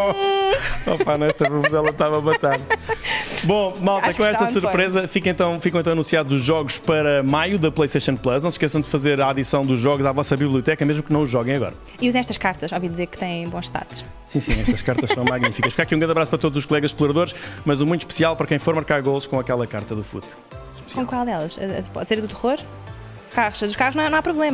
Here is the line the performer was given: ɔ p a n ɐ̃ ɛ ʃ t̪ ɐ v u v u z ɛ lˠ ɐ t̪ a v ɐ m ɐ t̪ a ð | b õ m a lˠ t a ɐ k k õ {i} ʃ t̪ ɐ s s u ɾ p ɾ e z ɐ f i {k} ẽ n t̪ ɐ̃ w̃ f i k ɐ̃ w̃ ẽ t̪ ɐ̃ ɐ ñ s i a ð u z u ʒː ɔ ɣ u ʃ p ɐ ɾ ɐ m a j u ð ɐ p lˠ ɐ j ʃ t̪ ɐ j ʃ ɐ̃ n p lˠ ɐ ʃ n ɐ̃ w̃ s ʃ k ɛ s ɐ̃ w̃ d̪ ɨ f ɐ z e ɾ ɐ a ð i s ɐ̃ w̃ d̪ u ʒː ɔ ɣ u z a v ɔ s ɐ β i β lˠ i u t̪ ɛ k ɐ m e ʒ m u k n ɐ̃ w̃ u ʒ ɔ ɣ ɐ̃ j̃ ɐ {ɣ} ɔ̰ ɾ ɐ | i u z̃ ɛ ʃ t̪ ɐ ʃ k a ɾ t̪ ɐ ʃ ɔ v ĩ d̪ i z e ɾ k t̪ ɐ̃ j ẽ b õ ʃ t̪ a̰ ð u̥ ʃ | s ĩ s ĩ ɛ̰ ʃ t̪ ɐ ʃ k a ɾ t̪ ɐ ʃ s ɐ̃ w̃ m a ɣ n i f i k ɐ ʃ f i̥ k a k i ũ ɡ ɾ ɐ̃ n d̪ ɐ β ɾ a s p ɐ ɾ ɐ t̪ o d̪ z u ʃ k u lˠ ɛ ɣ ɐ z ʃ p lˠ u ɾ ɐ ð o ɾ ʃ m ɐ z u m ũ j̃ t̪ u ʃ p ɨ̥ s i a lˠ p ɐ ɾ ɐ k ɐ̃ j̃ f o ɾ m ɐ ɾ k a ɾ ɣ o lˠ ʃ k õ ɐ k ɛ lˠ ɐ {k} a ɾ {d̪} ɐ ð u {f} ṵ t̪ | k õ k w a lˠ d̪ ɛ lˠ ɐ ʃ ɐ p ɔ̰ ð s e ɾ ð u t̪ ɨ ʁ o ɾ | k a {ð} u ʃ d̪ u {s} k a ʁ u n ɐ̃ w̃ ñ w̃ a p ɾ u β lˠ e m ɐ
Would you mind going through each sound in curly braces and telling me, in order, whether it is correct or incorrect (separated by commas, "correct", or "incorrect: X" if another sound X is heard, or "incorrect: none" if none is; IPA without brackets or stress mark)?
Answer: incorrect: ɛ, correct, correct, correct, incorrect: t̪, correct, incorrect: ʁ, incorrect: ʃ